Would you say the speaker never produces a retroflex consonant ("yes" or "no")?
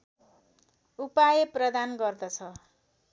yes